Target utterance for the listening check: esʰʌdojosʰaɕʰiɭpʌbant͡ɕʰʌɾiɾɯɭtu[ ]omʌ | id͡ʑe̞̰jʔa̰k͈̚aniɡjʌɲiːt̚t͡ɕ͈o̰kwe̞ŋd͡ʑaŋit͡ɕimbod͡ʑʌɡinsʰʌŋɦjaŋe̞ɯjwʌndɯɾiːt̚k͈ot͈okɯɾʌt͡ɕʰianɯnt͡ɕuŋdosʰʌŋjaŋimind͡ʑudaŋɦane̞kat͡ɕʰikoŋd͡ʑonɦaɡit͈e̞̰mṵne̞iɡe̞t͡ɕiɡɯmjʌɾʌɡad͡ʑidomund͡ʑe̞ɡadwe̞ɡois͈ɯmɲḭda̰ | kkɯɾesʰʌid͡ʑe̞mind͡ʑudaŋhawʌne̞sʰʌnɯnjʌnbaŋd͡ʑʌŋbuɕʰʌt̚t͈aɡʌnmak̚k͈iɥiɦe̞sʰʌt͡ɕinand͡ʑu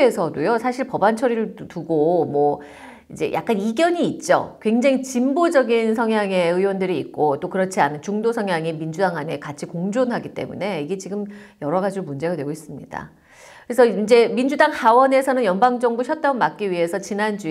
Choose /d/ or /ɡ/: ɡ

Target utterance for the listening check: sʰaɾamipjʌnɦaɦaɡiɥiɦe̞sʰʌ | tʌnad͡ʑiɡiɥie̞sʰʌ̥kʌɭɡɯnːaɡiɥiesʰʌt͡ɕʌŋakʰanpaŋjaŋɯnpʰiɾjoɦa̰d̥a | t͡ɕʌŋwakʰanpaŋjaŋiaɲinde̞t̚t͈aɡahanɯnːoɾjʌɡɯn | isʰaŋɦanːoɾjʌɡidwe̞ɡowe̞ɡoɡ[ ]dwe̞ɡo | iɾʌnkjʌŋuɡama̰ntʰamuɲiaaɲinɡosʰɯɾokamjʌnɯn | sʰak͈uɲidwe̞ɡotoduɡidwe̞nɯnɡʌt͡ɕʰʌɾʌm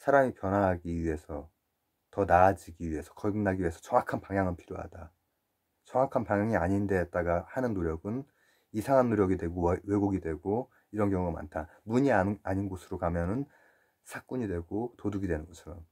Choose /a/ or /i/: i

